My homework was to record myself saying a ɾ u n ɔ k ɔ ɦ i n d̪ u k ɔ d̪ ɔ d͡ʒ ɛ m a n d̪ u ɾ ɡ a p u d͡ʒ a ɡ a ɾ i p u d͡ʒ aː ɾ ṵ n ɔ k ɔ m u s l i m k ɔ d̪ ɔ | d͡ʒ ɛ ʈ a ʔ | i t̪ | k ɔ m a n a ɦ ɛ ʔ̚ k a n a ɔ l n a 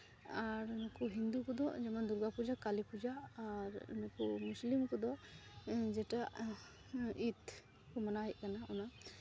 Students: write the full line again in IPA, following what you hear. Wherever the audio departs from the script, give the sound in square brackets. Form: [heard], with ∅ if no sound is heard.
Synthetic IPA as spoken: a ɾ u n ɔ k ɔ ɦ i n d̪ u k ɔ d̪ ɔ d͡ʒ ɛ m a n d̪ u ɾ ɡ a p u d͡ʒ a [k] a [l] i p u d͡ʒ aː ɾ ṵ n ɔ k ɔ m u s l i m k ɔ d̪ ɔ | d͡ʒ ɛ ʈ a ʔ | i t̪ | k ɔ m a n a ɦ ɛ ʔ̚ k a n a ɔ [∅] n a